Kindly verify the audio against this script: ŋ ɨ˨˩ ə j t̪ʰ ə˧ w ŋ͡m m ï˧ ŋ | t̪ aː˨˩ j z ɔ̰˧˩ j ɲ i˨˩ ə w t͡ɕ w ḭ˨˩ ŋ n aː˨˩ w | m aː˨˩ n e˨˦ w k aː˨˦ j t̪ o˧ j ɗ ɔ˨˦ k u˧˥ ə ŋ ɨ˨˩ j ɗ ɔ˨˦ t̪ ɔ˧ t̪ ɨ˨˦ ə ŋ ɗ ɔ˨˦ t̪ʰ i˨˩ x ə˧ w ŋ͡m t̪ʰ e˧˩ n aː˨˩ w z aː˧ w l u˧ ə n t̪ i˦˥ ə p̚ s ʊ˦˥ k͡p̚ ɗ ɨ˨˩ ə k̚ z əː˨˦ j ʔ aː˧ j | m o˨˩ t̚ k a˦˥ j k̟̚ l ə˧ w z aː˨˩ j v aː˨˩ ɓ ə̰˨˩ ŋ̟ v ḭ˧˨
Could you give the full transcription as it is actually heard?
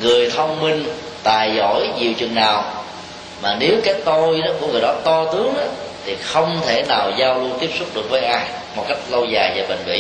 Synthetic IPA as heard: ŋ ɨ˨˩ ə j t̪ʰ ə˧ w ŋ͡m m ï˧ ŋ | t̪ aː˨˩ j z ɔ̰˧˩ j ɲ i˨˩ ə w t͡ɕ w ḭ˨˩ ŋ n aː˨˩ w | m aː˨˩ n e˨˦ w k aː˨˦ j t̪ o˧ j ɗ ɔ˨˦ k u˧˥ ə ŋ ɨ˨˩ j ɗ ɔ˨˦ t̪ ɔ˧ t̪ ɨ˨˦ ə ŋ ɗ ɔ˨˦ t̪ʰ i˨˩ x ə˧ w ŋ͡m t̪ʰ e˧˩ n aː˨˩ w z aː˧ w l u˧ ə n t̪ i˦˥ ə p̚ s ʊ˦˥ k͡p̚ ɗ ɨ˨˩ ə k̚ v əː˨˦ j ʔ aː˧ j | m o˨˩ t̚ k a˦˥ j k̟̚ l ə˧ w z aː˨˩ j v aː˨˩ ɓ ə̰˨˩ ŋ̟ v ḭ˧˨